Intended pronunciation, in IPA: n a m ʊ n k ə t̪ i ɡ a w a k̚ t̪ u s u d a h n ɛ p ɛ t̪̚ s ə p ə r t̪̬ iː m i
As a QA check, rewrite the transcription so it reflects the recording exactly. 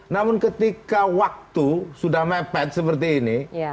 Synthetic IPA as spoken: n a m ʊ n k ə t̪ i k a w a k̚ t̪ u s u d a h m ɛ p ɛ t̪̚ s ə p ə r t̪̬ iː n i